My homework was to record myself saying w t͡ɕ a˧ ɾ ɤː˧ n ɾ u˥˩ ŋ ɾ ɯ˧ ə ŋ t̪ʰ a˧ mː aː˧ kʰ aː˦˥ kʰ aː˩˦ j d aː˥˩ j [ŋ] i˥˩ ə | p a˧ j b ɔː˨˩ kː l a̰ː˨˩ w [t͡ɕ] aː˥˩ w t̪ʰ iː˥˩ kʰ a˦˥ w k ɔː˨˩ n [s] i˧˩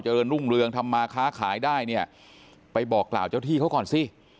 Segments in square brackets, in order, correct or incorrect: incorrect: n, correct, correct

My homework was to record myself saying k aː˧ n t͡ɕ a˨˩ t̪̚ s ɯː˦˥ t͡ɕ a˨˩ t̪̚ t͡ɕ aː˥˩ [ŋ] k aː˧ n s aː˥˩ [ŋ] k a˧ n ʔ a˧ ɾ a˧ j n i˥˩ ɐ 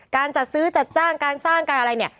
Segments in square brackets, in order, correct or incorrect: correct, correct

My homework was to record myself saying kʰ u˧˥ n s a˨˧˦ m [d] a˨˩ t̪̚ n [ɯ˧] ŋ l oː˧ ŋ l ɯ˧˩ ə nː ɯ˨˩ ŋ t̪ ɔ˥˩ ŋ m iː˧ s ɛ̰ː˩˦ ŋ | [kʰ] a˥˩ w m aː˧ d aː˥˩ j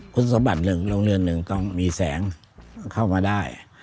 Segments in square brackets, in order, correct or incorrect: incorrect: b, incorrect: ɯ˨˩, correct

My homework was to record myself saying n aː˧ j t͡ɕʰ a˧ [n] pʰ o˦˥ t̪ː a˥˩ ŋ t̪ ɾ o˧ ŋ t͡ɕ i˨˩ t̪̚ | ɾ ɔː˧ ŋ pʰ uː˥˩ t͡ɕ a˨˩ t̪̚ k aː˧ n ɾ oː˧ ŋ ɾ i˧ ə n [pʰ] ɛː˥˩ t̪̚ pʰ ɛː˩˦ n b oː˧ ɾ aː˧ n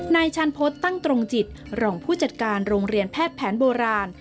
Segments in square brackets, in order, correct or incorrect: correct, correct

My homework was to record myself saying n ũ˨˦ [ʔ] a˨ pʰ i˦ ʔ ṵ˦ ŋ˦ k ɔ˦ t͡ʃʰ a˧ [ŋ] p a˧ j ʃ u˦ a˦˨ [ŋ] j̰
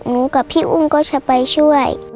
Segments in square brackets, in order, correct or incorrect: incorrect: k, incorrect: none, incorrect: none

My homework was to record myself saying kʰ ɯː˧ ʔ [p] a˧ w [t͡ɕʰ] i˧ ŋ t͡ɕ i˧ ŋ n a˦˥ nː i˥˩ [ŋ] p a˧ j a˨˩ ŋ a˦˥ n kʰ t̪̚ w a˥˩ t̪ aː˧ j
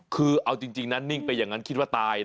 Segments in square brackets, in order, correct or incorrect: incorrect: ʔ, incorrect: t͡ɕ, correct

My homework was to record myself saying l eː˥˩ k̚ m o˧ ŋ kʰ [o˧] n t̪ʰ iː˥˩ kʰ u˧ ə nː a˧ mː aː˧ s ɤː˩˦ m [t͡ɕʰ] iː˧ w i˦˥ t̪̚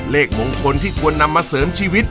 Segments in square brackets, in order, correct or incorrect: correct, correct

